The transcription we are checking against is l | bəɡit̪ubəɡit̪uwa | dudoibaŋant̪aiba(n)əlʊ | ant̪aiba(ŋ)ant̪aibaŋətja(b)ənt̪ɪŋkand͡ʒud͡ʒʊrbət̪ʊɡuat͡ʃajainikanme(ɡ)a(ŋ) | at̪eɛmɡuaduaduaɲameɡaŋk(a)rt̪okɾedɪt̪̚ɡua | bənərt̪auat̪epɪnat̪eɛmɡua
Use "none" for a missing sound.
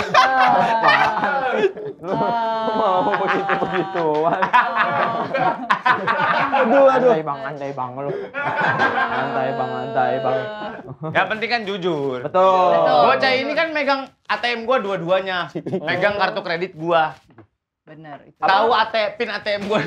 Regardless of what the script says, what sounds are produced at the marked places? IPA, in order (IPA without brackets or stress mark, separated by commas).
ŋ, ŋ, p, ɡ, ŋ, a